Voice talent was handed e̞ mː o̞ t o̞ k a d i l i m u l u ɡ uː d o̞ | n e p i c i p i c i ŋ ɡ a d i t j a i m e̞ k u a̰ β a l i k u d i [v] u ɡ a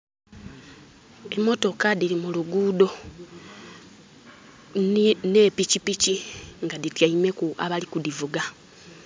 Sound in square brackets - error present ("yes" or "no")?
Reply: no